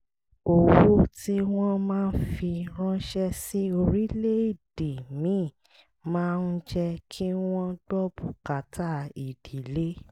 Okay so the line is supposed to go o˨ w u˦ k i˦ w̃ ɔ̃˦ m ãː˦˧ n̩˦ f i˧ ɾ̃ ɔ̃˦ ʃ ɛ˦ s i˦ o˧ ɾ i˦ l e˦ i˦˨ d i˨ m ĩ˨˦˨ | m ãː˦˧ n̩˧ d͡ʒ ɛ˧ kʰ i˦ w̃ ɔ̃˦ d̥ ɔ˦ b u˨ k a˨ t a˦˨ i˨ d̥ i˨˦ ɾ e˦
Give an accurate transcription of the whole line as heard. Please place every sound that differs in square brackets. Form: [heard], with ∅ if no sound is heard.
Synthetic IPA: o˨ w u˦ [t] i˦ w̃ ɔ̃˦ m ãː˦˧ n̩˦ f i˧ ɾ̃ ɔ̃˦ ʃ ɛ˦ s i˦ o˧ ɾ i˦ l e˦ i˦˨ d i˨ m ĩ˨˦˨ | m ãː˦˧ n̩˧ d͡ʒ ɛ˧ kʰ i˦ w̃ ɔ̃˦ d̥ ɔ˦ b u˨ k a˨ t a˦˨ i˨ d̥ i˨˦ [l] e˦